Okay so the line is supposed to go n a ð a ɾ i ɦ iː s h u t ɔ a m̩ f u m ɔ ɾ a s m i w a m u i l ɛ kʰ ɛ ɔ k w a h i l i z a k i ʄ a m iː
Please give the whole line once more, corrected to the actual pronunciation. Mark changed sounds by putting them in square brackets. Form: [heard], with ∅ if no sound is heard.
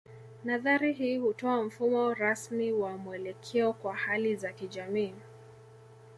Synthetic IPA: n a ð a ɾ i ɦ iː [∅] h u t ɔ a m̩ f u m ɔ ɾ a s m i w a m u [ɛ] l ɛ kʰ ɛ ɔ k w a h [a] l i z a k i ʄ a m iː